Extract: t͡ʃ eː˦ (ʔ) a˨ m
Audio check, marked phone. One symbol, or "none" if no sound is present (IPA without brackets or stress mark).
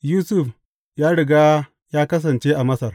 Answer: ʔ